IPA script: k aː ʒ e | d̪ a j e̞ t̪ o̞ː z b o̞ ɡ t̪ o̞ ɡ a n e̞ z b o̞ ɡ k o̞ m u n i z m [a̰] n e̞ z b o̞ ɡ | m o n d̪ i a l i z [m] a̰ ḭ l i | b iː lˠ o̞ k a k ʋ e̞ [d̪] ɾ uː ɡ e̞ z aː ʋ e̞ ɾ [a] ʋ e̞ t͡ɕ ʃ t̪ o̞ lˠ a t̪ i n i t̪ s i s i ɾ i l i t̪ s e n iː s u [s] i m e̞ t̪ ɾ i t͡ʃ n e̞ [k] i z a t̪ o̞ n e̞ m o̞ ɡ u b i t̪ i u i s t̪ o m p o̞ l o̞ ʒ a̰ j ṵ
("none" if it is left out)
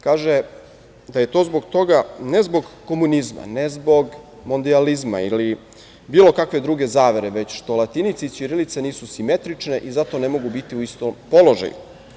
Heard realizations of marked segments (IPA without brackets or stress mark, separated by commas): a̰, m, d̪, e, s, ʔ